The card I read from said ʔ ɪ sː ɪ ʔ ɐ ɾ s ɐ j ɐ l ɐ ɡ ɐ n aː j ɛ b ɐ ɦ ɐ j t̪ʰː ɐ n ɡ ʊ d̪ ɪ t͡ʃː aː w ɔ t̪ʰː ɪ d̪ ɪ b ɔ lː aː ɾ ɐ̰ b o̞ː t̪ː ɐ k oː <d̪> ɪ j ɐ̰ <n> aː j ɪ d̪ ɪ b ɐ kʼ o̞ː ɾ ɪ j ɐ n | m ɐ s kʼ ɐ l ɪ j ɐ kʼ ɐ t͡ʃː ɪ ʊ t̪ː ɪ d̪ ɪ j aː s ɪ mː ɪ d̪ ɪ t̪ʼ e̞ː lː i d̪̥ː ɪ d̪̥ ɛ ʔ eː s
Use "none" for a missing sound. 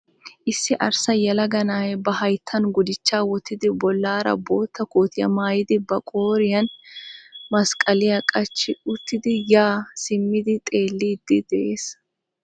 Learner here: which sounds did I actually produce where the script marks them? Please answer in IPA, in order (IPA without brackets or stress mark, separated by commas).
t̪, m